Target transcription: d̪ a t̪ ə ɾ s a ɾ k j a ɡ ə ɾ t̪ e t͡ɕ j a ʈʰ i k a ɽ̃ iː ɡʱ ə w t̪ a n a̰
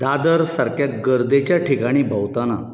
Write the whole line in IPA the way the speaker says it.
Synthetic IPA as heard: d̪ a d̪ ə ɾ s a ɾ k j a ɡ ə ɾ d̪ e t͡ɕ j a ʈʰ i k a ɽ̃ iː bʱ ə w t̪ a n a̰